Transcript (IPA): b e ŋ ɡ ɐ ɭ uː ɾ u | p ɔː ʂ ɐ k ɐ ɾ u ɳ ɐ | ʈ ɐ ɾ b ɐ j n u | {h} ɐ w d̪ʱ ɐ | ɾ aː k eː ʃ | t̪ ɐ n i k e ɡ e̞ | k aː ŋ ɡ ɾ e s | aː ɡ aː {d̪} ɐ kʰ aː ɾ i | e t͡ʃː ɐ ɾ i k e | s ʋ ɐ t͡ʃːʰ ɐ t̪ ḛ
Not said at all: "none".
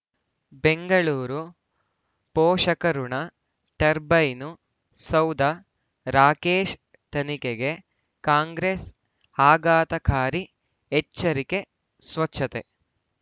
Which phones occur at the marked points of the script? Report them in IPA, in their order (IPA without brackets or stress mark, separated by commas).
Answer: s, t̪